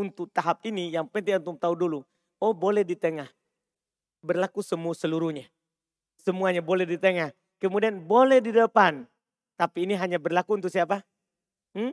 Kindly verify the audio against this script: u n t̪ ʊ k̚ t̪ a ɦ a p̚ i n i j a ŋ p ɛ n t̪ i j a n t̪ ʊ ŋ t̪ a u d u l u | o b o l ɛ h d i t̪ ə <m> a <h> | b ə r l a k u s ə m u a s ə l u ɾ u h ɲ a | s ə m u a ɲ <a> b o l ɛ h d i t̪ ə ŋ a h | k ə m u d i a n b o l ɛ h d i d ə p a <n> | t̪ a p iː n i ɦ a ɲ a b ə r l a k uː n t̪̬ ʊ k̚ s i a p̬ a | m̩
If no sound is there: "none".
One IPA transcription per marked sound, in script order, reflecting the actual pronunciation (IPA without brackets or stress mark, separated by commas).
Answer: ŋ, h, a, n